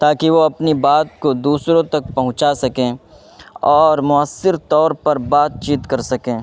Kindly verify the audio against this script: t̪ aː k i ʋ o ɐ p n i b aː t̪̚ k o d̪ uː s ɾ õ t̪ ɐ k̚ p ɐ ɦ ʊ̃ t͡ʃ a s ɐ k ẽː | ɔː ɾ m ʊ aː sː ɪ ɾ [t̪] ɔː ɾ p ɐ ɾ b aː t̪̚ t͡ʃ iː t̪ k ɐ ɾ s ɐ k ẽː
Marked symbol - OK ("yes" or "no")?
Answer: yes